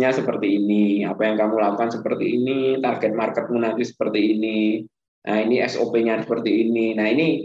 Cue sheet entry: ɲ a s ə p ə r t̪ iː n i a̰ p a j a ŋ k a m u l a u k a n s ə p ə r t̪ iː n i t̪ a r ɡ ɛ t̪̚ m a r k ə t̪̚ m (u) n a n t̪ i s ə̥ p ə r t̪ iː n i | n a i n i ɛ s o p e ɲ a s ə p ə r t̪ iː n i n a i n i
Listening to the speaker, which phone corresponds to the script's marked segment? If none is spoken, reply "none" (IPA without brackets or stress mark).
u